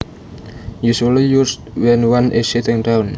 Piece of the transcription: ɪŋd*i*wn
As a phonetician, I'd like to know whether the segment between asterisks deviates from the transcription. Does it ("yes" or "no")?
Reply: yes